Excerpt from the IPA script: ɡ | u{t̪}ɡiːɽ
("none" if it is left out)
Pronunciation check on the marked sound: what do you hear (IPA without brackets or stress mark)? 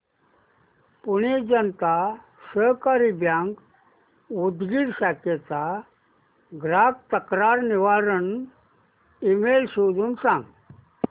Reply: d̪